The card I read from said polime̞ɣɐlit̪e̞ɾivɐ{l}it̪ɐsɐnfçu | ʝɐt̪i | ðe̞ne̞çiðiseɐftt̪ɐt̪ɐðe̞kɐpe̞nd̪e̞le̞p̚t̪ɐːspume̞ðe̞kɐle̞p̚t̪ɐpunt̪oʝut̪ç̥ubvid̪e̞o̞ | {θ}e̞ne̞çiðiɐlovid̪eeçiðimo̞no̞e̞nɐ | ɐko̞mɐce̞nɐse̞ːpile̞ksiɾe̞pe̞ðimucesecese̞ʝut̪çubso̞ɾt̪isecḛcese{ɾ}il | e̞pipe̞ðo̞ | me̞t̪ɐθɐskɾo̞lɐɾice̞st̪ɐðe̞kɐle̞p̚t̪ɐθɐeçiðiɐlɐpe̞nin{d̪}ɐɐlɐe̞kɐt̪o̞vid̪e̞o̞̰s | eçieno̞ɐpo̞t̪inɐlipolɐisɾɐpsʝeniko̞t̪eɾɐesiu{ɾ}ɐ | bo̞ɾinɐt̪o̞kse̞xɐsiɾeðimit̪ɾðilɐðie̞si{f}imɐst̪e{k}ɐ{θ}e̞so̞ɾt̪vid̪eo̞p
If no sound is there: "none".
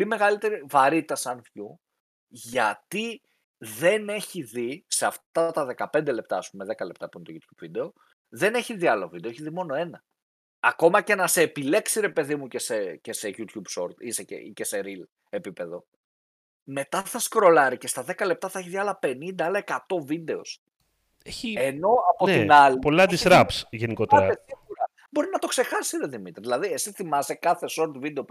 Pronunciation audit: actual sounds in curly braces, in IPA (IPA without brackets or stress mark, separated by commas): ɾ, ð, ɾ, d̪, ɾ, θ, k, θ